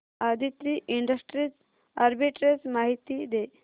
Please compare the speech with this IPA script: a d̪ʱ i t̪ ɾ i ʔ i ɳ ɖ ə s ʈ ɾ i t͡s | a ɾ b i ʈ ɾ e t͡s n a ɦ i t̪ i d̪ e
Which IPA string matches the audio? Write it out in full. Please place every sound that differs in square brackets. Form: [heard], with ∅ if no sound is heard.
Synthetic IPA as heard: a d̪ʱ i t̪ ɾ i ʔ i ɳ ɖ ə s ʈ ɾ i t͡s | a ɾ b i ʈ ɾ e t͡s [m] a ɦ i t̪ i d̪ e